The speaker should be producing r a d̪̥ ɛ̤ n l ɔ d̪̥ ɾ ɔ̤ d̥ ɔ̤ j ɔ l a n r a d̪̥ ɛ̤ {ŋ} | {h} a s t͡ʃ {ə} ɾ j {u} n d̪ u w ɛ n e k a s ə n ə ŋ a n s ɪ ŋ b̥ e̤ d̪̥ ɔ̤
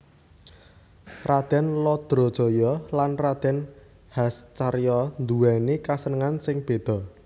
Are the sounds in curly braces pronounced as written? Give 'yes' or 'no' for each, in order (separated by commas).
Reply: no, yes, no, no